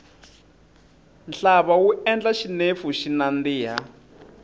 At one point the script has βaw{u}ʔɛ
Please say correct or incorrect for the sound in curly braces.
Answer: correct